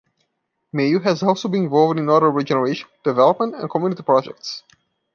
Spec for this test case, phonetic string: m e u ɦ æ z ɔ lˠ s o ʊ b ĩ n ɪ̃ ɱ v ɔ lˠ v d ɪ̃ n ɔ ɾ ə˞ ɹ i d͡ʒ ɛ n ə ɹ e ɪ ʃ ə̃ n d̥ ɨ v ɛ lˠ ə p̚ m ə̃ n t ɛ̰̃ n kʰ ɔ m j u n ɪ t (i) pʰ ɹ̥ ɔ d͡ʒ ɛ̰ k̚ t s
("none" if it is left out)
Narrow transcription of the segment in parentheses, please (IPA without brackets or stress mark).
i